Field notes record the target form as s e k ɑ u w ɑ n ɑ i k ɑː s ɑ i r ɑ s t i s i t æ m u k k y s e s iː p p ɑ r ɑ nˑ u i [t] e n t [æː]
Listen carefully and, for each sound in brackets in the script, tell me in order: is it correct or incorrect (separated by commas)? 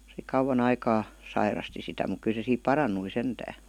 incorrect, correct